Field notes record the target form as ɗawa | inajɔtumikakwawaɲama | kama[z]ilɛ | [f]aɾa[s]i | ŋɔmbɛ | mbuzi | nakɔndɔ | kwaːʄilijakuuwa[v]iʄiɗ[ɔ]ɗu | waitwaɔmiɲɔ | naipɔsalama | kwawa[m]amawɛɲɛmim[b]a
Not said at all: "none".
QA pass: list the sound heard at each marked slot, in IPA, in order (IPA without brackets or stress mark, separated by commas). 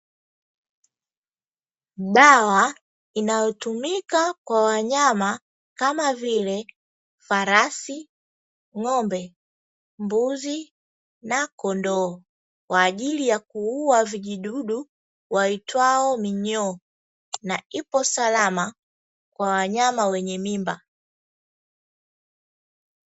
v, f, s, v, u, ɲ, b